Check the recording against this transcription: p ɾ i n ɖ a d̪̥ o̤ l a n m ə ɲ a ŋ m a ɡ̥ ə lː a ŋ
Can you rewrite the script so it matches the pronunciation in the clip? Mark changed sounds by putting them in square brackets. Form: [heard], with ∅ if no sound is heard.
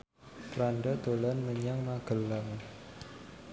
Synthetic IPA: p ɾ [a] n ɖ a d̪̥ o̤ l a n m ə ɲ a ŋ m a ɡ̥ ə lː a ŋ

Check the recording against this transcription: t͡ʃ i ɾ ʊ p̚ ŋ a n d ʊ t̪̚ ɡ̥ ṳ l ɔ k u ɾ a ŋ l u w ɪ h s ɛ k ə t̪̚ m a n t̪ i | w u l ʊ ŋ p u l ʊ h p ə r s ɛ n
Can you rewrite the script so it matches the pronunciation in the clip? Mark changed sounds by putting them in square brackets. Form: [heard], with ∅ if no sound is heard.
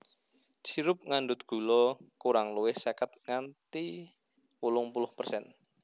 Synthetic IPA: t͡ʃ i ɾ ʊ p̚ ŋ a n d ʊ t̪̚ ɡ̥ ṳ l ɔ k u ɾ a ŋ l u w ɪ h s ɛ k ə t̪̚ [ŋ] a n t̪ i | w u l ʊ ŋ p u l ʊ h p ə r s ɛ n

